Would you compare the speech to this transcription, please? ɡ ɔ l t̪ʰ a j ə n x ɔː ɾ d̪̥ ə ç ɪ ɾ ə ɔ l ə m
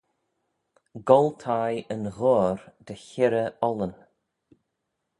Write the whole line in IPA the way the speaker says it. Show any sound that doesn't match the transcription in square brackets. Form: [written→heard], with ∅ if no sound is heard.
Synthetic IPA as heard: ɡ ɔ l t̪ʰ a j ə n [x→ɣ] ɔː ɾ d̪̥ ə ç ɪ ɾ ə ɔ l ə [m→n]

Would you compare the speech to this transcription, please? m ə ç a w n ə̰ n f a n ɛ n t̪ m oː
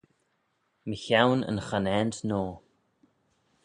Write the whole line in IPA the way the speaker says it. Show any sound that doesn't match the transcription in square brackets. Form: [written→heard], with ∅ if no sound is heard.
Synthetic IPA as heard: m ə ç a w n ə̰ n [f→x] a n ɛ n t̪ [m→n] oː

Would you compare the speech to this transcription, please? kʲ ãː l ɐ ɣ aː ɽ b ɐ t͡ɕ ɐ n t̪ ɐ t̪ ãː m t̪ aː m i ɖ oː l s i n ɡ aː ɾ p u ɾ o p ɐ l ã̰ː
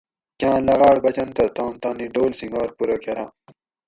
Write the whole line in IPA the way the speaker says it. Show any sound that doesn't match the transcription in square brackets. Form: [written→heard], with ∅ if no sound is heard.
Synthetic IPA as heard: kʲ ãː l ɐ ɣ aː ɽ b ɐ t͡ɕ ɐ n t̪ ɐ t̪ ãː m t̪ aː [m→n] i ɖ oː l s i [n→ŋ] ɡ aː ɾ p u ɾ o [p→k] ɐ [l→ɾ] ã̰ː

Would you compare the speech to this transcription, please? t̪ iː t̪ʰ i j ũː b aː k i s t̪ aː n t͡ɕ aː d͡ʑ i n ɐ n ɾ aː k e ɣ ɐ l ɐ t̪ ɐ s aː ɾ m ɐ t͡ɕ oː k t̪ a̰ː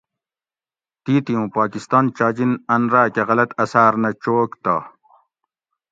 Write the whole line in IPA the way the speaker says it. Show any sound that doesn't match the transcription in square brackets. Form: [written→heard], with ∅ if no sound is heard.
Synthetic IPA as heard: t̪ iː [t̪ʰ→t̪] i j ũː [b→p] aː k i s t̪ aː n t͡ɕ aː d͡ʑ i n ɐ n ɾ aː k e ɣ ɐ l ɐ t̪ ɐ s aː ɾ [m→n] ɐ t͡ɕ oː k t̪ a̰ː

